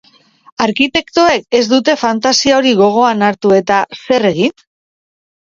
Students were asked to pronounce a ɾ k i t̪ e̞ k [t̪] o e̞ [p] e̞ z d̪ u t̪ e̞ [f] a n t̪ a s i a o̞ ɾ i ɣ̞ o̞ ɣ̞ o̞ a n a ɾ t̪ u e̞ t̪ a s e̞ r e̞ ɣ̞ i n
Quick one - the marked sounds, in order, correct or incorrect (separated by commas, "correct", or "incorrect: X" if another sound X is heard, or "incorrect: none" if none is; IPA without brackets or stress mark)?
correct, incorrect: k, correct